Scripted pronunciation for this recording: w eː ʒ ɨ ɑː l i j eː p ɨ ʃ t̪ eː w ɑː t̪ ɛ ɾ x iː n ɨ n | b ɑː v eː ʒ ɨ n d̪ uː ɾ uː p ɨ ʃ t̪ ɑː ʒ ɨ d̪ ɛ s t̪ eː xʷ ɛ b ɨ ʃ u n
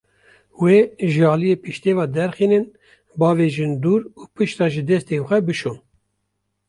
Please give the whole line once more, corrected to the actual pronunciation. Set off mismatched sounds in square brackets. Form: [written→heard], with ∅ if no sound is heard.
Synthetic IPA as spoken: w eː ʒ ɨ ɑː l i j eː p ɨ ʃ t̪ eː [w→v] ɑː [t̪→d̪] ɛ ɾ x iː n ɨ n | b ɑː v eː ʒ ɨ n d̪ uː ɾ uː p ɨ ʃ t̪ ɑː ʒ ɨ d̪ ɛ s t̪ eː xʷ ɛ b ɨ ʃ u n